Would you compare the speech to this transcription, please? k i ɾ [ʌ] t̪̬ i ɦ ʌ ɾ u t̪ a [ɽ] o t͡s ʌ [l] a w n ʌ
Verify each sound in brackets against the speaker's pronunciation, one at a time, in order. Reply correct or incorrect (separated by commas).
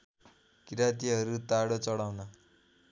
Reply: incorrect, correct, incorrect